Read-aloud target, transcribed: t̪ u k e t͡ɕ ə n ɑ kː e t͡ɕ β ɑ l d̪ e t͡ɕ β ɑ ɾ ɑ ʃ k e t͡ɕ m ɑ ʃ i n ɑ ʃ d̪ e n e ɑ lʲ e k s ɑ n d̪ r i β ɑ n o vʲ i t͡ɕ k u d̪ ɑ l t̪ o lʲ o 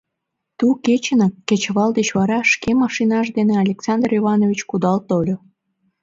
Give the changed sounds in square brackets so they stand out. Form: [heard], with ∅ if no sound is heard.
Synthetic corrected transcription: t̪ u k e t͡ɕ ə n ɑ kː e t͡ɕ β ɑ l d̪ e t͡ɕ β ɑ ɾ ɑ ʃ k e [∅] m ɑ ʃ i n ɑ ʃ d̪ e n e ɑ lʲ e k s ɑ n d̪ r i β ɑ n o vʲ i t͡ɕ k u d̪ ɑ l t̪ o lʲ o